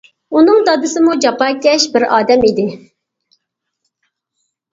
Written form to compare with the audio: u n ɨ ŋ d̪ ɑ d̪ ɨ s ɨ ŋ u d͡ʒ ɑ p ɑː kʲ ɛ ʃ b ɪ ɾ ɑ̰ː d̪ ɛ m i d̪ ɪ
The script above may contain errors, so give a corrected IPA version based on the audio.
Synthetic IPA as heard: u n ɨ ŋ d̪ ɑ d̪ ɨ s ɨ m u d͡ʒ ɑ p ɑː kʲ ɛ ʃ b ɪ ɾ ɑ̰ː d̪ ɛ m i d̪ ɪ